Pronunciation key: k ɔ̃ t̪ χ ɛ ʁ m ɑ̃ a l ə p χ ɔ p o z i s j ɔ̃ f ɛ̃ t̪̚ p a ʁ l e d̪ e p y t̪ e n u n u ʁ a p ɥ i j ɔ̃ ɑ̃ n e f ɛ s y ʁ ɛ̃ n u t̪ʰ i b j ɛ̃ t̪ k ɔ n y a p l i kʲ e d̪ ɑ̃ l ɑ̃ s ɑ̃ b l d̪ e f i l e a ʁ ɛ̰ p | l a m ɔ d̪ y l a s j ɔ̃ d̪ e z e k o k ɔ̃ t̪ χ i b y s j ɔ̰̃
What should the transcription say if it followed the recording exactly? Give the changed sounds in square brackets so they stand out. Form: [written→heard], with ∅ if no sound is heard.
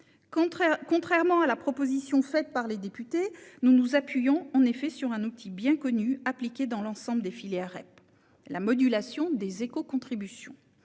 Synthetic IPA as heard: k ɔ̃ t̪ χ ɛ ʁ m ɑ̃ a l [ə→a] p χ ɔ p o z i s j ɔ̃ f [ɛ̃→ɛ] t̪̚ p a ʁ l e d̪ e p y t̪ e n u n u [ʁ→z] a p ɥ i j ɔ̃ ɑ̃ n e f ɛ s y ʁ ɛ̃ n u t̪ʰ i b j ɛ̃ [t̪→∅] k ɔ n y a p l i kʲ e d̪ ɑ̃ l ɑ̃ s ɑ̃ b l d̪ e f i l e a ʁ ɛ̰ p | l a m ɔ d̪ y l a s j ɔ̃ d̪ e z e k o k ɔ̃ t̪ χ i b y s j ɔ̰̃